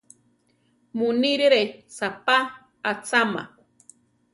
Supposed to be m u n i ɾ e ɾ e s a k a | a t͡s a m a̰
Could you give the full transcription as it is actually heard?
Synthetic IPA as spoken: m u n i ɾ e ɾ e s a p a | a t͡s a m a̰